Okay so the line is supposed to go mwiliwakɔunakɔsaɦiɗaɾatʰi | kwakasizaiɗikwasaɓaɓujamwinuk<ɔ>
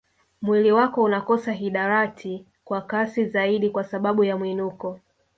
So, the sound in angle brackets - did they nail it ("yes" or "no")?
yes